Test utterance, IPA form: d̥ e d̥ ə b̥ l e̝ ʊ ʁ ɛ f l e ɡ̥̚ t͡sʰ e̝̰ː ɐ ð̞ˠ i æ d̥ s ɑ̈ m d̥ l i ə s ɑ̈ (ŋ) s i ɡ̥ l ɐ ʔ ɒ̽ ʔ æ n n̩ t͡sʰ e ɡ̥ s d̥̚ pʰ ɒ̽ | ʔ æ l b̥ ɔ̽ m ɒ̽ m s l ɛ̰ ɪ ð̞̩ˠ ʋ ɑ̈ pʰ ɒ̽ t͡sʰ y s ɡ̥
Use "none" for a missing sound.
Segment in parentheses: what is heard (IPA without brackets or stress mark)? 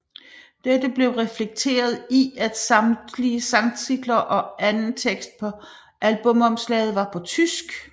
ŋ